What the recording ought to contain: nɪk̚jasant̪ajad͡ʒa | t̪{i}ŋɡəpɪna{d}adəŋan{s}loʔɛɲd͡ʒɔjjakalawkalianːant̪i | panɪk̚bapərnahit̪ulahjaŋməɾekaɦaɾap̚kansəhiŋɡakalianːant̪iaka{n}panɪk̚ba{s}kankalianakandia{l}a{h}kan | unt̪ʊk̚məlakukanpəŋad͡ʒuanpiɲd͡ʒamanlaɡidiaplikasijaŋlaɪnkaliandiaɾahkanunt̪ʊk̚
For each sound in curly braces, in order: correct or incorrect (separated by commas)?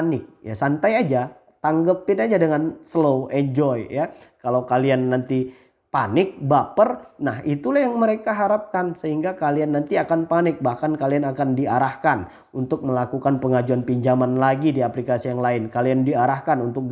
incorrect, incorrect, correct, correct, incorrect, incorrect, correct